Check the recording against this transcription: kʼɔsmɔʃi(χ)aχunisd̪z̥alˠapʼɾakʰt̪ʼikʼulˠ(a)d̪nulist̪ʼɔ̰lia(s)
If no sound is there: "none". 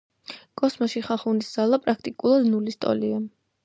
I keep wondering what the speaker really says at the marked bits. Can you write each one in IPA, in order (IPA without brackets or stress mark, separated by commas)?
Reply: χ, a, none